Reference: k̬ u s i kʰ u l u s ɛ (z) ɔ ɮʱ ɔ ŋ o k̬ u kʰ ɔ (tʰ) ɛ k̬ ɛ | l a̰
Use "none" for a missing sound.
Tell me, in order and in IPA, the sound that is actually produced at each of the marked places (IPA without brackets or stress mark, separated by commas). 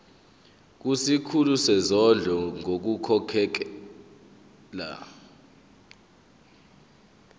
z, kʰ